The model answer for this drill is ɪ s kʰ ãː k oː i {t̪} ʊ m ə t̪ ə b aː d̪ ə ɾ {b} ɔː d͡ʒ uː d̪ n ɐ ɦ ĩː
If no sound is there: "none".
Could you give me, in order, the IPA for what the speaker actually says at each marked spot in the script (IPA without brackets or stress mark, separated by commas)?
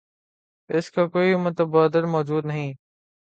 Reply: none, m